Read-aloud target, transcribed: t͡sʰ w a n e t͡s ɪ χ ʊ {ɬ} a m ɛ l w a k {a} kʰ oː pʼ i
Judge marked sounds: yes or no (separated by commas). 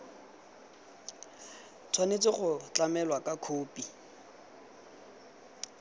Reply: no, yes